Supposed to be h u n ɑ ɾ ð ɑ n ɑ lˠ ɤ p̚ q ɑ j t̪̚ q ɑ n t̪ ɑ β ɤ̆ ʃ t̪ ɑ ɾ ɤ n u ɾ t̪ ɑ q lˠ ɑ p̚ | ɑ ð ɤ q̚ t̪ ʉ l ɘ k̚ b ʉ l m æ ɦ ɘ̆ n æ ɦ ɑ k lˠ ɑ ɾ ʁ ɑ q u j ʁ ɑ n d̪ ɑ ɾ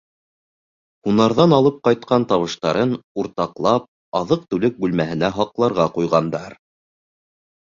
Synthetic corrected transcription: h u n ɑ ɾ ð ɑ n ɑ lˠ ɤ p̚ q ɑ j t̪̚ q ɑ n t̪ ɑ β ɤ̆ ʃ t̪ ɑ ɾ ɤ n u ɾ t̪ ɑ q lˠ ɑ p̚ | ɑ ð ɤ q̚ t̪ ʉ l ɘ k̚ b ʉ l m æ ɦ ɘ̆ n æ ɦ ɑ q lˠ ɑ ɾ ʁ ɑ q u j ʁ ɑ n d̪ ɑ ɾ

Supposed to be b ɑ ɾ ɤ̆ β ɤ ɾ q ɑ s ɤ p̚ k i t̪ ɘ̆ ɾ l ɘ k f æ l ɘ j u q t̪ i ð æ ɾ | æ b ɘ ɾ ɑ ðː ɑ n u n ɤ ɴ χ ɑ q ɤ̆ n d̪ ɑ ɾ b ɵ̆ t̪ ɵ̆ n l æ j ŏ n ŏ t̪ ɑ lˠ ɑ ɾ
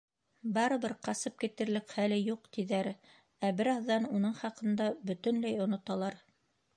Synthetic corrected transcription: b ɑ ɾ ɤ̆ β ɤ ɾ q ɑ s ɤ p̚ k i t̪ ɘ̆ ɾ l ɘ k χ æ l ɘ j u q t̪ i ð æ ɾ | æ b ɘ ɾ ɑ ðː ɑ n u n ɤ ɴ χ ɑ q ɤ̆ n d̪ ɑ b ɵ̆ t̪ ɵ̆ n l æ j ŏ n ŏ t̪ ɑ lˠ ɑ ɾ

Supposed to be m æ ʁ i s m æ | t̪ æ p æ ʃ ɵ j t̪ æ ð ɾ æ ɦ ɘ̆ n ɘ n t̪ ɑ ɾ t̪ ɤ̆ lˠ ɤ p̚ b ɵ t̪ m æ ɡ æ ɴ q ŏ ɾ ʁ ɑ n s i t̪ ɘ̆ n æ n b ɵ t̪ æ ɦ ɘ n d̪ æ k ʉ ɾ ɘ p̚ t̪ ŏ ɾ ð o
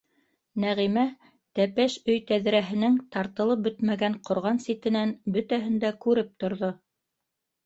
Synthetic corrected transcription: n æ ʁ i m æ | t̪ æ p æ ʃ ɵ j t̪ æ ð ɾ æ ɦ ɘ̆ n ɘ ŋ t̪ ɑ ɾ t̪ ɤ̆ lˠ ɤ p̚ b ɵ t̪ m æ ɡ æ ɴ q ŏ ɾ ʁ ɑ n s i t̪ ɘ̆ n æ n b ɵ t̪ æ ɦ ɘ n d̪ æ k ʉ ɾ ɘ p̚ t̪ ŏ ɾ ð o

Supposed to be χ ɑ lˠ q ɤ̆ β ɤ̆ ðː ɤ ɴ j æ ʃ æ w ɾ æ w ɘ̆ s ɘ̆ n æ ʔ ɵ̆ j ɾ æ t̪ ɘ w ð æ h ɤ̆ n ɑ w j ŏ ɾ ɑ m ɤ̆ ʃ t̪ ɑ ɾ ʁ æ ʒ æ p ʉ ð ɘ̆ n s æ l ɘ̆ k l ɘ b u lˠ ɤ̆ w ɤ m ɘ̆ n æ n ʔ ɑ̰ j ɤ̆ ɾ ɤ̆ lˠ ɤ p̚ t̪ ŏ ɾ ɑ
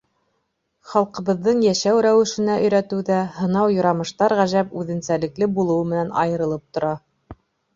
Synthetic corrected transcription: χ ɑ lˠ q ɤ̆ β ɤ̆ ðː ɤ ɴ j æ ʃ æ w ɾ æ w ɘ̆ ʃ ɘ̆ n æ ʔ ɵ̆ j ɾ æ t̪ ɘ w ð æ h ɤ̆ n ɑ w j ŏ ɾ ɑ m ɤ̆ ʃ t̪ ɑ ɾ ʁ æ ʒ æ p ʉ ð ɘ̆ n s æ l ɘ̆ k l ɘ b u lˠ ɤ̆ w ɤ m ɘ̆ n æ n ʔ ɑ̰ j ɤ̆ ɾ ɤ̆ lˠ ɤ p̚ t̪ ŏ ɾ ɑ

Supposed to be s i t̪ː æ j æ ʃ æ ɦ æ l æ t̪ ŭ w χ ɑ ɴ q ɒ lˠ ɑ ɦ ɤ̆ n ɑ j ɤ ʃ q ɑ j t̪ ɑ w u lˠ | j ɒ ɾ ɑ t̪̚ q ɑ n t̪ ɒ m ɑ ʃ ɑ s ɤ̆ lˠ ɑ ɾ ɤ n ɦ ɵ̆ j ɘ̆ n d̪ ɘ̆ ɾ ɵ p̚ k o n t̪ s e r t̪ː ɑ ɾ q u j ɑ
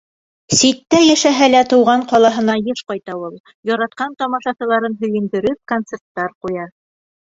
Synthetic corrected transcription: s i t̪ː æ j æ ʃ æ ɦ æ l æ t̪ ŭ w ʁ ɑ ɴ q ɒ lˠ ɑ ɦ ɤ̆ n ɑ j ɤ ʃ q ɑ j t̪ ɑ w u lˠ | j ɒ ɾ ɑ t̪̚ q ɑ n t̪ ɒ m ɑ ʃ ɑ s ɤ̆ lˠ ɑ ɾ ɤ n ɦ ɵ̆ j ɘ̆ n d̪ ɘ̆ ɾ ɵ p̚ k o n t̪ s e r t̪ː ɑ ɾ q u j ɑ

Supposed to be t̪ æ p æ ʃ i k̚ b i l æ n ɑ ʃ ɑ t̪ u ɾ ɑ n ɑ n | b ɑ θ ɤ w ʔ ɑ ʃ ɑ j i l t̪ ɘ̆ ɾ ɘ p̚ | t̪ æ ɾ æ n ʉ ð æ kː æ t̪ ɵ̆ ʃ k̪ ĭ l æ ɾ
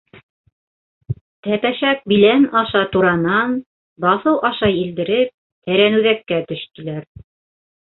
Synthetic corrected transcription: t̪ æ p æ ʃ æ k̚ b i l æ n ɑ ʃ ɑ t̪ u ɾ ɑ n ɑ n | b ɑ θ ɤ w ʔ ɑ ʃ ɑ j i l d̪ ɘ̆ ɾ ɘ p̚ | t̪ æ ɾ æ n ʉ ð æ kː æ t̪ ɵ̆ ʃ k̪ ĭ l æ ɾ

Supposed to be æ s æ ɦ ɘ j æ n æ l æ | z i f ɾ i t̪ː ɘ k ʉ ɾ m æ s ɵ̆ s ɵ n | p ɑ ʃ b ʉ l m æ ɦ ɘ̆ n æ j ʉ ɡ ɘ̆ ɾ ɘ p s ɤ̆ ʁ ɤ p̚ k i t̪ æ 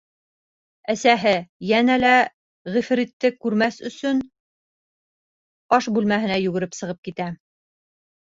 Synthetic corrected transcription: æ s æ ɦ ɘ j æ n æ l æ | ʁ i f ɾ i t̪ː ɘ k ʉ ɾ m æ s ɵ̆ s ɵ n | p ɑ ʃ b ʉ l m æ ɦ ɘ̆ n æ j ʉ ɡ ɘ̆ ɾ ɘ p s ɤ̆ ʁ ɤ p̚ k i t̪ æ

